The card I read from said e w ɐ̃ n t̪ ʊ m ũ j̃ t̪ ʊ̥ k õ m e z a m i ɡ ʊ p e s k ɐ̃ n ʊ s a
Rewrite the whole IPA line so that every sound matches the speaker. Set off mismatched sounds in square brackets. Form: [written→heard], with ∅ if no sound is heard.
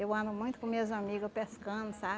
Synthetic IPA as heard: e w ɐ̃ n [t̪→d̪] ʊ m ũ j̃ t̪ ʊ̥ k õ m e z a m i ɡ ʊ p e s k ɐ̃ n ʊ s a